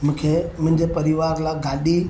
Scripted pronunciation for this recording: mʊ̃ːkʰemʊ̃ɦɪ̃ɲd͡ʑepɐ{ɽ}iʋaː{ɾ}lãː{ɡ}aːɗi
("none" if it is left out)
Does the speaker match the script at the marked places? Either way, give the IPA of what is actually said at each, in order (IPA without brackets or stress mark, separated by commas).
ɾ, ɾ, ɡ